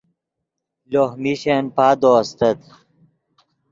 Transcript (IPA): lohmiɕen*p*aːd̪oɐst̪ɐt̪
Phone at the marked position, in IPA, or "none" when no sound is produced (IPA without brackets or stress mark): p